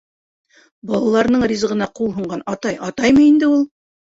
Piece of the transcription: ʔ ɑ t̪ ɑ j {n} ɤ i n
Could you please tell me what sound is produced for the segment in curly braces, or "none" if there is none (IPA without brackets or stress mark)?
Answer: m